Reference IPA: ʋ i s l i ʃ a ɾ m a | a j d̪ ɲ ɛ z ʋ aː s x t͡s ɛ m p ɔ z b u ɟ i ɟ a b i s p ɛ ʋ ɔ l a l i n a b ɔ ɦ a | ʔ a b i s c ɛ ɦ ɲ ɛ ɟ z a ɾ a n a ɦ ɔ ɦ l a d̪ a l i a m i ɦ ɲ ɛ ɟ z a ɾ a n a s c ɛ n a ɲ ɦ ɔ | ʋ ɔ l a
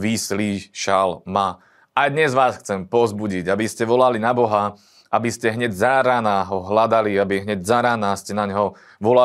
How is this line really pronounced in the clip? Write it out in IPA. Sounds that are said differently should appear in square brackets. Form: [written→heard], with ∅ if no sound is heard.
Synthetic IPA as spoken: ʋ i s l i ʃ a [ɾ→l] m a | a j d̪ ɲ ɛ z ʋ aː s x t͡s ɛ m p ɔ z b u ɟ i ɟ a b i s [p→c] ɛ ʋ ɔ l a l i n a b ɔ ɦ a | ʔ a b i s c ɛ ɦ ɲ ɛ ɟ z a ɾ a n a ɦ ɔ ɦ l a d̪ a l i a [m→b] i ɦ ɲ ɛ ɟ z a ɾ a n a s c ɛ n a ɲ ɦ ɔ | ʋ ɔ l a